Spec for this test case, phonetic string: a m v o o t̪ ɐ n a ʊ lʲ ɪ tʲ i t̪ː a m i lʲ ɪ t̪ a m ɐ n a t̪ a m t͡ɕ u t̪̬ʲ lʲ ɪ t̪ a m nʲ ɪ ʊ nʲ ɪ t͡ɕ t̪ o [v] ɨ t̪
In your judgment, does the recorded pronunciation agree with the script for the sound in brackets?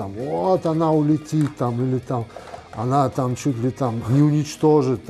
no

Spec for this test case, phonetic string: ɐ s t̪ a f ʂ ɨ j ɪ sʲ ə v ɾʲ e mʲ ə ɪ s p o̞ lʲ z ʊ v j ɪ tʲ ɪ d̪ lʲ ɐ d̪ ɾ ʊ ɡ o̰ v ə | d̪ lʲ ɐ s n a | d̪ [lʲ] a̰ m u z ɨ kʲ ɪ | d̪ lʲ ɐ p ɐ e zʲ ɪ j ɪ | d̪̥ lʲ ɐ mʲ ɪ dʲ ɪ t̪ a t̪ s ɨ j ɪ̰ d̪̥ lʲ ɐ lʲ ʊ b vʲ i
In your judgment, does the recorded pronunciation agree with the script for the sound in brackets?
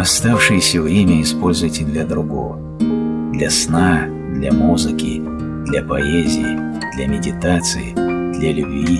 yes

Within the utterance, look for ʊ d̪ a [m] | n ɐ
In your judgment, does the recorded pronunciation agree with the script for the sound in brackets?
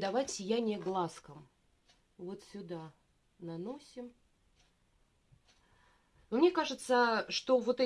no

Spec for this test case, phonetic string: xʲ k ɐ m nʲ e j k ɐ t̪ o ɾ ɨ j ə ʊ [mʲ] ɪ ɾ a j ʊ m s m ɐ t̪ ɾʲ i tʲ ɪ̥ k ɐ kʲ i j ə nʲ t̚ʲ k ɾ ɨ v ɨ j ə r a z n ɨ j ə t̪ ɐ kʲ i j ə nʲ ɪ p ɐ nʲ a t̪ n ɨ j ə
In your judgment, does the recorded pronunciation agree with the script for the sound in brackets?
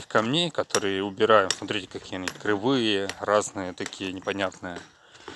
no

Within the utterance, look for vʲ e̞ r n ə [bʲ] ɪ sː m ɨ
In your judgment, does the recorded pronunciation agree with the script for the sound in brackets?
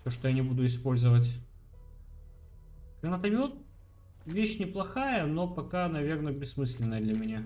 yes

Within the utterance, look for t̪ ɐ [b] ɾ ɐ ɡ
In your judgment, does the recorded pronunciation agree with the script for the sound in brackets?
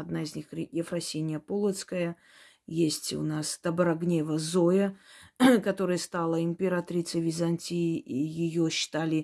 yes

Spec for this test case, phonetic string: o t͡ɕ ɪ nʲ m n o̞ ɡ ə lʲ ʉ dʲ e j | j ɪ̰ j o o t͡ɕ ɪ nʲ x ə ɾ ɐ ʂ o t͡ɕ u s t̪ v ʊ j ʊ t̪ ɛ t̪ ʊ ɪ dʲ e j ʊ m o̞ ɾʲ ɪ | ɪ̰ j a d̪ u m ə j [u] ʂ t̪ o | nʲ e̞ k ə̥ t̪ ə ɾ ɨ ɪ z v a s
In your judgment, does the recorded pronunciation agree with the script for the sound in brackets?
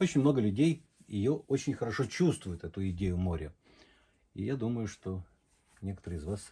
no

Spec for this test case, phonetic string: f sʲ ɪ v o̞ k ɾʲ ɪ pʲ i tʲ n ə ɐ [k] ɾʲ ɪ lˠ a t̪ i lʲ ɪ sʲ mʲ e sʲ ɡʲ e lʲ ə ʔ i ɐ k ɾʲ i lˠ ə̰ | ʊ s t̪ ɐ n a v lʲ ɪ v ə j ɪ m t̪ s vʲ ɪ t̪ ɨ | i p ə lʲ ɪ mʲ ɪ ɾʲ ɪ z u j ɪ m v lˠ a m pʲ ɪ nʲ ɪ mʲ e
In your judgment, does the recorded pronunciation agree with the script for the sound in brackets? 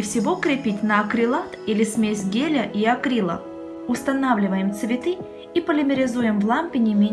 yes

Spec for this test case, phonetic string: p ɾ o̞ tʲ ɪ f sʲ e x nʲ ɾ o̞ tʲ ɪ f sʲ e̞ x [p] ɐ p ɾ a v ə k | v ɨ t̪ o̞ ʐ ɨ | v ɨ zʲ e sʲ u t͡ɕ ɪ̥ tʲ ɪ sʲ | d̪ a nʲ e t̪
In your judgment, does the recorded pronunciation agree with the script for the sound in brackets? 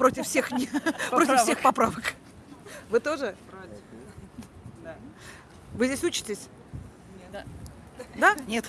yes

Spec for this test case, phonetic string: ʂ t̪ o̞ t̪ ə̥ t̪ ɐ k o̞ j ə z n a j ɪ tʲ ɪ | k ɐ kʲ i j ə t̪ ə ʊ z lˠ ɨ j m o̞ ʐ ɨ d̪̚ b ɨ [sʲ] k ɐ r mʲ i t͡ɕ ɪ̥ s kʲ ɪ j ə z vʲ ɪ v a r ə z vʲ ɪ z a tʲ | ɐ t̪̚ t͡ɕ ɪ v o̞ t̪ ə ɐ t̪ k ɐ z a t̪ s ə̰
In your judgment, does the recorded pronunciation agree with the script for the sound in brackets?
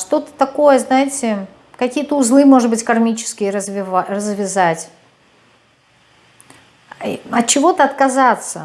no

